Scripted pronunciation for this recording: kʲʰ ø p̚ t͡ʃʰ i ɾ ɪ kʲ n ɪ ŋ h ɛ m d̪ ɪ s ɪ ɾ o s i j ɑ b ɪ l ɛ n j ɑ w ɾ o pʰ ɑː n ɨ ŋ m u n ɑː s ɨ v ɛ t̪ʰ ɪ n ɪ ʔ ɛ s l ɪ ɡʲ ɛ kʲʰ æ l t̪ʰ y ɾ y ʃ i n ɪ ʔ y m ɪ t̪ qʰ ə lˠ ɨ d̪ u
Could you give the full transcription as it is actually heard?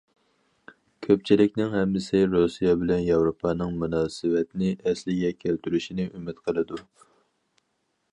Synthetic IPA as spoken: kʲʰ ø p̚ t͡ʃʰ i l ɪ kʲ n ɪ ŋ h ɛ m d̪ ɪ s ɪ ɾ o s i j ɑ b ɪ l ɛ n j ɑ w ɾ o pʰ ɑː n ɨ ŋ m u n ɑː s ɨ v ɛ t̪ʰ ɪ n ɪ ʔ ɛ s l ɪ ɡʲ ɛ kʲʰ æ l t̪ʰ y ɾ y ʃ i n ɪ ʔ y m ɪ t̪ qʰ ə lˠ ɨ d̪ u